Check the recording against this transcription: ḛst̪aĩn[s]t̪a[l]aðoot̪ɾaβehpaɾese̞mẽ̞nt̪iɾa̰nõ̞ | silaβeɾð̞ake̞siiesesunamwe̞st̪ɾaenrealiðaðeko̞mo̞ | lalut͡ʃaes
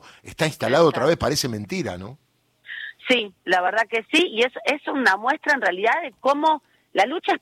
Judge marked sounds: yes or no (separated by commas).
yes, yes